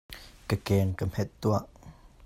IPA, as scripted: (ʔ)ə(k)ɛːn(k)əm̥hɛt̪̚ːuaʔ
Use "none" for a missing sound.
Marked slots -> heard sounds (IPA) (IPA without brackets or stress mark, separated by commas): k, k, k